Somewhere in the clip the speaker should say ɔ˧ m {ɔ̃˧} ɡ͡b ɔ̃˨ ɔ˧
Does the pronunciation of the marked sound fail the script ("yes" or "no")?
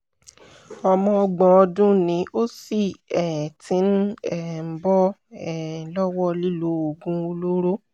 no